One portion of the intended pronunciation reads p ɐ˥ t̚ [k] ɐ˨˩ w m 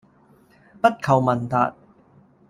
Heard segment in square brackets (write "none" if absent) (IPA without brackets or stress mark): kʰ